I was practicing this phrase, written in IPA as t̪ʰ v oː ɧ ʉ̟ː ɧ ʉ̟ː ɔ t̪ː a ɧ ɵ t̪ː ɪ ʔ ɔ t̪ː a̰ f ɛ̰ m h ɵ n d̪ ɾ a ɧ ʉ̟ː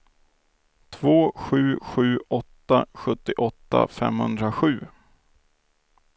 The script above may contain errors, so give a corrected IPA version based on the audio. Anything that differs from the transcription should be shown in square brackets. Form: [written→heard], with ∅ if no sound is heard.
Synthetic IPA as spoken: t̪ʰ v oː ɧ ʉ̟ː ɧ ʉ̟ː ɔ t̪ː a ɧ ɵ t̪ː ɪ ʔ ɔ t̪ː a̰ f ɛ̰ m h ɵ n d̪ ɾ a ɧ ʉ̟ː